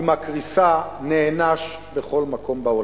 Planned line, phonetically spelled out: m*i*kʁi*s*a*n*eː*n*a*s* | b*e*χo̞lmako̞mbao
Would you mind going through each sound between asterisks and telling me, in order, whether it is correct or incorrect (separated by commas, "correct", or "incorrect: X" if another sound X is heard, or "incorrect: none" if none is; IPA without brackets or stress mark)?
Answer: incorrect: a, correct, correct, correct, incorrect: ʃ, correct